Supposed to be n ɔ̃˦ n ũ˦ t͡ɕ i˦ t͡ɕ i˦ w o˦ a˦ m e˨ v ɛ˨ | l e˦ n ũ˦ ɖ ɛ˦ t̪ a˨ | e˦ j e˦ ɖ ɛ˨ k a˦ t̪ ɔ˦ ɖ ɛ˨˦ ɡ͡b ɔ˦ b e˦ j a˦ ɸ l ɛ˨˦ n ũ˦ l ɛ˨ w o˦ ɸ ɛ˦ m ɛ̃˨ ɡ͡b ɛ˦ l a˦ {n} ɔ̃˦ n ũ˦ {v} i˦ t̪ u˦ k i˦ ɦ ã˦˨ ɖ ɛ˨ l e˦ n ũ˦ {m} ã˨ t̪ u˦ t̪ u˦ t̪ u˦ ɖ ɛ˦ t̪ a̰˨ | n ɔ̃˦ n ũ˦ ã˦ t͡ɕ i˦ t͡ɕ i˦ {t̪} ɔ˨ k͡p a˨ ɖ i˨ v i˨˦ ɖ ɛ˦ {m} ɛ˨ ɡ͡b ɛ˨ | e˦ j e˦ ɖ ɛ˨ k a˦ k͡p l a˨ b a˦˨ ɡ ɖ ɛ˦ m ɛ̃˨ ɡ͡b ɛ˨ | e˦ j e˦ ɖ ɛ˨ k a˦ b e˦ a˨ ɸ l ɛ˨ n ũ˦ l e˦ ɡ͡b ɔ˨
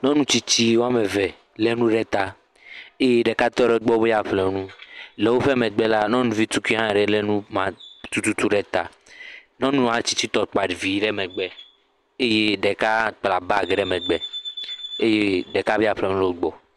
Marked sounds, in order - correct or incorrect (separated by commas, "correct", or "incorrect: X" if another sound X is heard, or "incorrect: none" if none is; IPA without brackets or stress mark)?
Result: correct, correct, correct, correct, correct